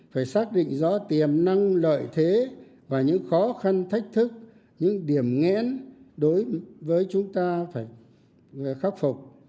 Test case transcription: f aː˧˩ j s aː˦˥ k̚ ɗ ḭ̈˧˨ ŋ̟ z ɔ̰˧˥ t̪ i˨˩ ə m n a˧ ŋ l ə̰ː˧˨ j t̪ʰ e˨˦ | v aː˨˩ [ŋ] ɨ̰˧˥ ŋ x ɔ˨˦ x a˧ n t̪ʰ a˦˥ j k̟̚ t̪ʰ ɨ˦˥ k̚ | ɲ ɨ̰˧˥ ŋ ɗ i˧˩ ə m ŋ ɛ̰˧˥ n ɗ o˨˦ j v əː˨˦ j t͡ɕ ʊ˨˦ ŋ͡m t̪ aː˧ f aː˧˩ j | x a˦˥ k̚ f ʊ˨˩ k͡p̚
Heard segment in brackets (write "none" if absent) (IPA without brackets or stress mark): ɲ